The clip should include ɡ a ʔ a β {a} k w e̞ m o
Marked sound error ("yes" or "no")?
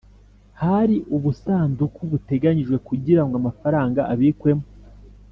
yes